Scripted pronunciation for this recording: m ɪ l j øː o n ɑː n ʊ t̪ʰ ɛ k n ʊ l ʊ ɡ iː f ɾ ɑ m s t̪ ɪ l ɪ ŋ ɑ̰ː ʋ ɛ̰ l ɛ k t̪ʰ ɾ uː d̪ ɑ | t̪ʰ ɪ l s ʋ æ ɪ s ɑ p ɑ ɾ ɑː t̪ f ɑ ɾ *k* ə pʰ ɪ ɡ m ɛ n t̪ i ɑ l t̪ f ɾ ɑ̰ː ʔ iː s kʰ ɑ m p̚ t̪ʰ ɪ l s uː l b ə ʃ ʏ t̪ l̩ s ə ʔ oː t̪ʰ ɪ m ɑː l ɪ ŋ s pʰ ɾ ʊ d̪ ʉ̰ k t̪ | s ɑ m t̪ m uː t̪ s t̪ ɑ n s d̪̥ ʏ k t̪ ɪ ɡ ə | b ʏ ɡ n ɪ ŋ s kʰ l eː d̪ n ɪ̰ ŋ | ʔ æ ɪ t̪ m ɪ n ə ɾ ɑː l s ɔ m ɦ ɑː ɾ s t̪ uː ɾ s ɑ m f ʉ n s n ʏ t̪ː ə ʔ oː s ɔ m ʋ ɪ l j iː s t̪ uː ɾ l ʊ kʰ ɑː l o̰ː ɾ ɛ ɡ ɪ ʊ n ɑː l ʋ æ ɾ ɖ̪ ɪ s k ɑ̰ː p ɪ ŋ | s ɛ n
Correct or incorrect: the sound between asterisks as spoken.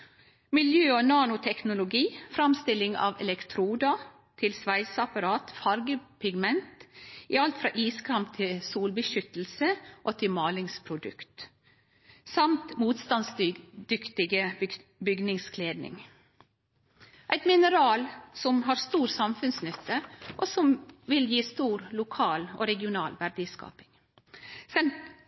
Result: incorrect: ɡ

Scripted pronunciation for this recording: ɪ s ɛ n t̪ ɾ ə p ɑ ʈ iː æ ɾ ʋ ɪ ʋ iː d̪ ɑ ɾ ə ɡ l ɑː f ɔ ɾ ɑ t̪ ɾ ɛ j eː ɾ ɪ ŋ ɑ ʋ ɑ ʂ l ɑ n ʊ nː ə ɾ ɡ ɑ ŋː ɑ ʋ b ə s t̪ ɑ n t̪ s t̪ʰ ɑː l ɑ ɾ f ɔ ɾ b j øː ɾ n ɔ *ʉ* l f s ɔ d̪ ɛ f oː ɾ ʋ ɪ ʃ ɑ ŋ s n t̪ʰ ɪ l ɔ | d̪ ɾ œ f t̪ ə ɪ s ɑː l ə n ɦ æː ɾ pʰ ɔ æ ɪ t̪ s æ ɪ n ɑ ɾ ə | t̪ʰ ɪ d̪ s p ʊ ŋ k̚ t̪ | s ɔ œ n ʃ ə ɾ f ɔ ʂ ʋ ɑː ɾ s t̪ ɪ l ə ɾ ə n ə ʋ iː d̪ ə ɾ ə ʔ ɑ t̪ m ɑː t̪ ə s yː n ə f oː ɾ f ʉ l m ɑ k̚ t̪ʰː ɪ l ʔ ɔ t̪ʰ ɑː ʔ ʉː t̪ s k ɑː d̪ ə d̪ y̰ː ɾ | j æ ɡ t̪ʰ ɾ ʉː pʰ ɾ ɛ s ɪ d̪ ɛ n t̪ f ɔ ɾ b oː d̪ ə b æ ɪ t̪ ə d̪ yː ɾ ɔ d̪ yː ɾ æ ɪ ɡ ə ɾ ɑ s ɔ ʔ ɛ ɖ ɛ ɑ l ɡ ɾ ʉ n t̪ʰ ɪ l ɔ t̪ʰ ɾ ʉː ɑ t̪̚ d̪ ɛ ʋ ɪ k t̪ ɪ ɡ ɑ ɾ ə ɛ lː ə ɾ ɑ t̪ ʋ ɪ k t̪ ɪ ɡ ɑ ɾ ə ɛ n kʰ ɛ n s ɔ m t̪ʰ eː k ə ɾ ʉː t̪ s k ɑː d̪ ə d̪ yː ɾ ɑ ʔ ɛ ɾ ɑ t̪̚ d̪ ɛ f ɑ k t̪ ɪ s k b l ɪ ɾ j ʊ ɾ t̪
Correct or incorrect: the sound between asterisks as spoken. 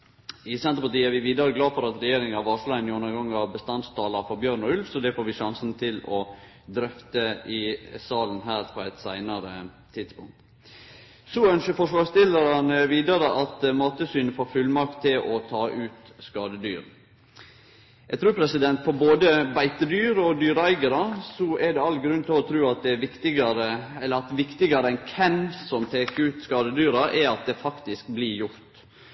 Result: correct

